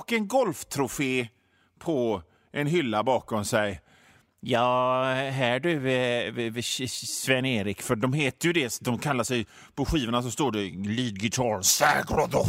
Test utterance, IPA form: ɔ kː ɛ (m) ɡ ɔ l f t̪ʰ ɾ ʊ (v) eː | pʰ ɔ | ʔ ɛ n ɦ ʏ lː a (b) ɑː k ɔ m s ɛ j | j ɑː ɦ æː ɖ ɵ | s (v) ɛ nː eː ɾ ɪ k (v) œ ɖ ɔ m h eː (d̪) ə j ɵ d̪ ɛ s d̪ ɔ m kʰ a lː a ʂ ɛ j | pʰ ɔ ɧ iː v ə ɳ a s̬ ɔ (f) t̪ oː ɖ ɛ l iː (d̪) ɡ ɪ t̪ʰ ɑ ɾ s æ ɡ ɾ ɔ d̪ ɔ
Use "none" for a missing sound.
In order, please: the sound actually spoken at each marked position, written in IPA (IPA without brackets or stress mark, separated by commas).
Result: n, f, b, v, f, t̪, s, d̪